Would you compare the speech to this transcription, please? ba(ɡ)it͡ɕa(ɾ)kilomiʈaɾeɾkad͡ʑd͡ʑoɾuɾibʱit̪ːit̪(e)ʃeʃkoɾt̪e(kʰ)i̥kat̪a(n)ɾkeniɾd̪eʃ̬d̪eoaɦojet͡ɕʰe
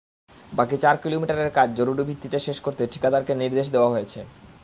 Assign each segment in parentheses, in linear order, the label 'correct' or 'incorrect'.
incorrect: k, correct, correct, incorrect: ʈʰ, incorrect: none

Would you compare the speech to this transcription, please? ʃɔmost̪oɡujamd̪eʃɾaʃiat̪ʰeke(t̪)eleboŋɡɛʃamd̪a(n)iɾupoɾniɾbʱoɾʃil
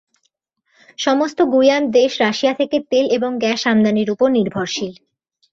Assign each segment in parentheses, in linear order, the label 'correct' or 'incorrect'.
correct, correct

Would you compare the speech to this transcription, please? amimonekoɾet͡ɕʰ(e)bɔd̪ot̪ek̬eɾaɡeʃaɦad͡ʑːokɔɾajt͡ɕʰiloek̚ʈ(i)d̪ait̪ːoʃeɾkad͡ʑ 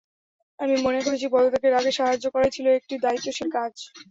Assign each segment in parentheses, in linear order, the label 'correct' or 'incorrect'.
incorrect: i, correct

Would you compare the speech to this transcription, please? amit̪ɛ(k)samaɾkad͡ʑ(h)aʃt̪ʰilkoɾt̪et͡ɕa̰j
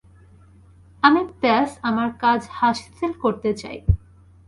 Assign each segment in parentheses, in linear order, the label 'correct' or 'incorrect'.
incorrect: none, correct

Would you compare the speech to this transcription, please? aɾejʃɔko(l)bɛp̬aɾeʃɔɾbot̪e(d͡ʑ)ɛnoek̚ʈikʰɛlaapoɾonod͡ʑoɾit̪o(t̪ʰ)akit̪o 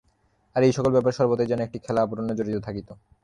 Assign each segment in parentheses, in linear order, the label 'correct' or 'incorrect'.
correct, correct, correct

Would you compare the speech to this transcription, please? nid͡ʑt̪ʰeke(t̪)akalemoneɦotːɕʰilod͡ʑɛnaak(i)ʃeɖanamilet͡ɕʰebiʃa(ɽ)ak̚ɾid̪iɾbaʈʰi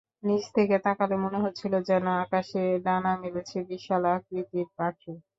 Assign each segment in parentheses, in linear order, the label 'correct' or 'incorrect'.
correct, incorrect: a, incorrect: l

